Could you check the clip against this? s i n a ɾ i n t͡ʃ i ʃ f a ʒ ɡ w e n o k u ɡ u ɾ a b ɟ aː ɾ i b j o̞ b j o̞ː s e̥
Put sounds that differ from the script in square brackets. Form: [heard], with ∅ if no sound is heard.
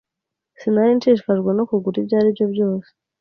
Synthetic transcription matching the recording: s i n a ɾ i n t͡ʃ i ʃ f a ʒ ɡ w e n o k u ɡ u ɾ [i] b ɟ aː ɾ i b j o̞ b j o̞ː s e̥